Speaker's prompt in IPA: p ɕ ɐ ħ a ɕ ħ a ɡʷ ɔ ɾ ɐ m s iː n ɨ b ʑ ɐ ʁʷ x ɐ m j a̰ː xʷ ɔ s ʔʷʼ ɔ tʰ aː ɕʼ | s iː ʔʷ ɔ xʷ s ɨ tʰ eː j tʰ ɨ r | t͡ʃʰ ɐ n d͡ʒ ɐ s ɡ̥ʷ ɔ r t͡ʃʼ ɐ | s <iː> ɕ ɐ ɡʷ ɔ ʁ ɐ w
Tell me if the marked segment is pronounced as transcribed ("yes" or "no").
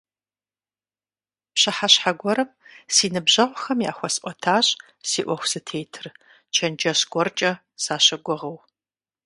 no